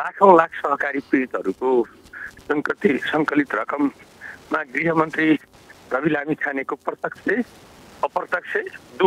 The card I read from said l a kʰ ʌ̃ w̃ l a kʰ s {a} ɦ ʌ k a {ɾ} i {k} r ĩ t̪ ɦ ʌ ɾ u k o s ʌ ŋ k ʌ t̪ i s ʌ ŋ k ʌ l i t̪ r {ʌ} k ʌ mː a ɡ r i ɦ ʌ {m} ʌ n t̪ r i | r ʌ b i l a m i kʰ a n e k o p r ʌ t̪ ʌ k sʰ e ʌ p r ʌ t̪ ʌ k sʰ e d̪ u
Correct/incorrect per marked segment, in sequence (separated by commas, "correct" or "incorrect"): incorrect, correct, incorrect, correct, correct